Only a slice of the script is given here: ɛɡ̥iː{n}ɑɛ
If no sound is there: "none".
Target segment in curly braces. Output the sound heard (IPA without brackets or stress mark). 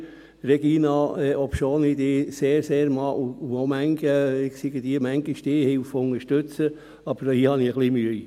n